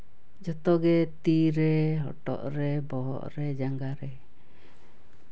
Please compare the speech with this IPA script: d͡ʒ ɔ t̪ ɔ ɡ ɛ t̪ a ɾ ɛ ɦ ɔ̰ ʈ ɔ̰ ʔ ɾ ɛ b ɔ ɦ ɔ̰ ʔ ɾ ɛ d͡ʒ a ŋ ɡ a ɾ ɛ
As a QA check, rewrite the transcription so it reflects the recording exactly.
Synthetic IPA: d͡ʒ ɔ t̪ ɔ ɡ ɛ t̪ i ɾ ɛ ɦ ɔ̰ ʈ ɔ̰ ʔ ɾ ɛ b ɔ ɦ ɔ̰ ʔ ɾ ɛ d͡ʒ a ŋ ɡ a ɾ ɛ